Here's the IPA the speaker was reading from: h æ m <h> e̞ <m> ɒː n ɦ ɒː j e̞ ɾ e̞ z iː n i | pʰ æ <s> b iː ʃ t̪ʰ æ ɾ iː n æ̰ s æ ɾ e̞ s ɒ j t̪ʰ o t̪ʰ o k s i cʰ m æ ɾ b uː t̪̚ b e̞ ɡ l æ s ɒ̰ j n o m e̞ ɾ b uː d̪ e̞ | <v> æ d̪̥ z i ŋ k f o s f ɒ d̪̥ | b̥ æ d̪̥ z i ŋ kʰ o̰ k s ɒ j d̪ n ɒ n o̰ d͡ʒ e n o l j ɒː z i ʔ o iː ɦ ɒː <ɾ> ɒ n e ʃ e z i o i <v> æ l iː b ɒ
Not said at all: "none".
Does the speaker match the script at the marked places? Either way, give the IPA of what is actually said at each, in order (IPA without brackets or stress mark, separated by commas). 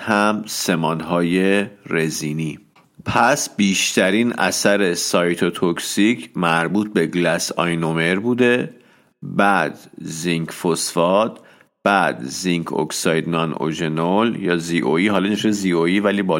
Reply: s, m, s, b, l, v